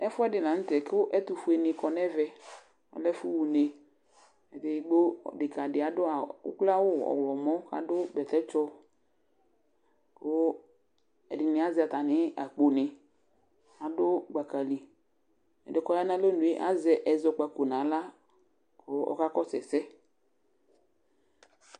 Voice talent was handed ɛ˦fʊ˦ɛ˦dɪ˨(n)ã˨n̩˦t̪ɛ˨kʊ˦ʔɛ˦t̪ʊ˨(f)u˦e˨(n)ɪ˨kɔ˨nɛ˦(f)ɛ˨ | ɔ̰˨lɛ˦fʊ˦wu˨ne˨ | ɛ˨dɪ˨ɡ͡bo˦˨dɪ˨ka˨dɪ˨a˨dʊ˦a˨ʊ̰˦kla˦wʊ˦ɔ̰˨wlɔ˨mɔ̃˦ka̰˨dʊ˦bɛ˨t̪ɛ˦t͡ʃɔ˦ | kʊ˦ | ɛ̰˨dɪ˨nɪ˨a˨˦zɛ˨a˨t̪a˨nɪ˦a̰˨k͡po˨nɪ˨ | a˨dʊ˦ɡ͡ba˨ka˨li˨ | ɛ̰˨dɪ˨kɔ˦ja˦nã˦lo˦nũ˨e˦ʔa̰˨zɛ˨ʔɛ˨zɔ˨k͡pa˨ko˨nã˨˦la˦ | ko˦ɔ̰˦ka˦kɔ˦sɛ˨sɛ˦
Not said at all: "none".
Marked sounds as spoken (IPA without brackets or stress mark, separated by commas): n, f, n, v